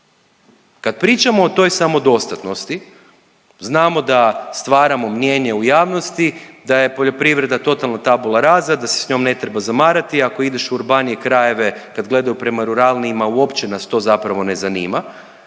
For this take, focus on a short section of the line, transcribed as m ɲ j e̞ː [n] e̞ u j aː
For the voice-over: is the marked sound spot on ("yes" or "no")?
no